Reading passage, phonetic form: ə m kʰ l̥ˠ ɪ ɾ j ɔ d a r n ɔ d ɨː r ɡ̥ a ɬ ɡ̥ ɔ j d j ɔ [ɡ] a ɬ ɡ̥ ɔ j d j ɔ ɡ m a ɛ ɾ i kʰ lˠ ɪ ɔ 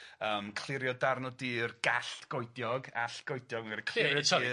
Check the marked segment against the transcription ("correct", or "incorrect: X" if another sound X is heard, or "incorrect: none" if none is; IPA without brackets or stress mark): correct